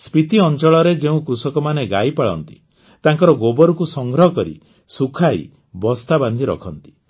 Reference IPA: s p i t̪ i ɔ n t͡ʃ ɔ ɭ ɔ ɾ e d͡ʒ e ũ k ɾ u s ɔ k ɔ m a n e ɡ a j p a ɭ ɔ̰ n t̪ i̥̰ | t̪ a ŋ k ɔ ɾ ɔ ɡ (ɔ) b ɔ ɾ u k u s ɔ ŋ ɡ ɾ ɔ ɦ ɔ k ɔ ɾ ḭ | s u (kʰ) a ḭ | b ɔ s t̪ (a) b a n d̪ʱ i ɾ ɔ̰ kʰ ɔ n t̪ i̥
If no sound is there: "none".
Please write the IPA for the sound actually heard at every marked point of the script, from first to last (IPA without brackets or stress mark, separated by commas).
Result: o, kʰ, a